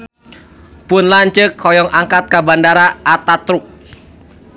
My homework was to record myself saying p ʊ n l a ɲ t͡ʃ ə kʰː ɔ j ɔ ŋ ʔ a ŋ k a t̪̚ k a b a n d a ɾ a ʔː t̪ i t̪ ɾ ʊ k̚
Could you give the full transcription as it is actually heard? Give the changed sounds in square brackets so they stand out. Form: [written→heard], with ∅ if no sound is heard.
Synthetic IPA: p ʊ n l a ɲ t͡ʃ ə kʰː ɔ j ɔ ŋ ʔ a ŋ k a t̪̚ k a b a n d a ɾ a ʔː t̪ [i→a] t̪ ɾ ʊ k̚